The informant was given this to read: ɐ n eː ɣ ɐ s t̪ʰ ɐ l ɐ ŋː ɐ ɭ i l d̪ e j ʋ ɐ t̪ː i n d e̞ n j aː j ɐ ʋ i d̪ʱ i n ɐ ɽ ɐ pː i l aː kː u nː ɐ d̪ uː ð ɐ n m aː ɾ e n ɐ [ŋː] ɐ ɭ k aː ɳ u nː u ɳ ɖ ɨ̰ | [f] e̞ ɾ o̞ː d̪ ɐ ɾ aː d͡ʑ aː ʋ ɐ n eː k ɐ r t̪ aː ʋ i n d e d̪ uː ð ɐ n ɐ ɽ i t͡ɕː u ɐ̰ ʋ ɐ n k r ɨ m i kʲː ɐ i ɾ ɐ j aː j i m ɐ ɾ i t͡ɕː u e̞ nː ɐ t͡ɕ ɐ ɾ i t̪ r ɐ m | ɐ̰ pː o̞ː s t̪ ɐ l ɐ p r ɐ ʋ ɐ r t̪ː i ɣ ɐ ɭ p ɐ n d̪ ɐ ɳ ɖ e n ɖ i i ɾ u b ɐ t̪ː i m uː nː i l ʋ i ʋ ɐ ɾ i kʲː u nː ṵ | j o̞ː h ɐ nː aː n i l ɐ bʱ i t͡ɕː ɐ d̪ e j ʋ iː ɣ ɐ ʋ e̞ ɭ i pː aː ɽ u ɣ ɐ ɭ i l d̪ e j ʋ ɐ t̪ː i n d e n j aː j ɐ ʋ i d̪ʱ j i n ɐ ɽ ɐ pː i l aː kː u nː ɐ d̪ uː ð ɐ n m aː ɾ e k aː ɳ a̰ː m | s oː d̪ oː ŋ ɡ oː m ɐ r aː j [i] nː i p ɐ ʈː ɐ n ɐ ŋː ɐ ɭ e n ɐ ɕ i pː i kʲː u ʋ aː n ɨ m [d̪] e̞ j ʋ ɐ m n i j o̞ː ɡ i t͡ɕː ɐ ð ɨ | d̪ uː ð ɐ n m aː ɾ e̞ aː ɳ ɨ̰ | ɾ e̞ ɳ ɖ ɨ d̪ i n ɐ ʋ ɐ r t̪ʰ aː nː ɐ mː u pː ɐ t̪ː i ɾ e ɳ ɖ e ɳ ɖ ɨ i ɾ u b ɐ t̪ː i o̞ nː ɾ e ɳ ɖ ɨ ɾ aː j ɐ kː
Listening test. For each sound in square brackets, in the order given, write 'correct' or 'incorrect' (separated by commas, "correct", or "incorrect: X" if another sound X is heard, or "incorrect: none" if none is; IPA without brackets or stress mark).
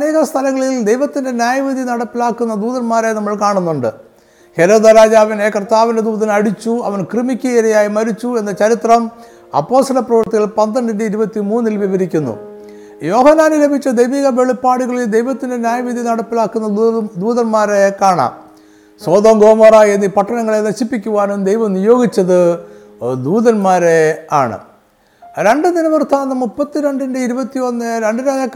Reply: incorrect: mː, incorrect: h, incorrect: e, correct